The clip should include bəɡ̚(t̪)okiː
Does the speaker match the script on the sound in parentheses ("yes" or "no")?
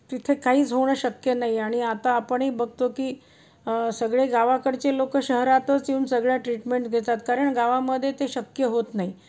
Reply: yes